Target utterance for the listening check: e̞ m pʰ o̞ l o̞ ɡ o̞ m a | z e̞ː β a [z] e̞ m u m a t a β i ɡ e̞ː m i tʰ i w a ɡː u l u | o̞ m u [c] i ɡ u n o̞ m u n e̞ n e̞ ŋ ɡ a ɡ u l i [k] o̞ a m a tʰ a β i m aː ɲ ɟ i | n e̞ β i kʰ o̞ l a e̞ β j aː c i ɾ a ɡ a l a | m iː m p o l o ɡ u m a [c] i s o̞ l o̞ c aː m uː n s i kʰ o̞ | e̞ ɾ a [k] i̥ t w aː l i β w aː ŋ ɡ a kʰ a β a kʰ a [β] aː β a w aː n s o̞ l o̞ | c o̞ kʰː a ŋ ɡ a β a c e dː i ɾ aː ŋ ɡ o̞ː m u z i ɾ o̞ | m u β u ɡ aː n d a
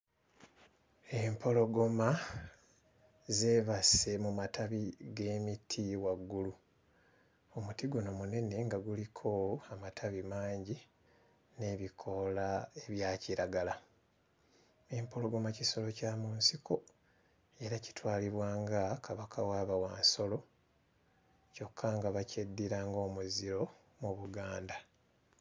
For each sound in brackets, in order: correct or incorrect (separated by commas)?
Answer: incorrect, incorrect, incorrect, correct, incorrect, incorrect